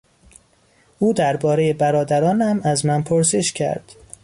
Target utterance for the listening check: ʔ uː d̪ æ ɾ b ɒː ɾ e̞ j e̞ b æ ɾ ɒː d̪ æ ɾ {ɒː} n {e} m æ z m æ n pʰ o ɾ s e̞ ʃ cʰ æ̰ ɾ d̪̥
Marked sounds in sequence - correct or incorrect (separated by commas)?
correct, incorrect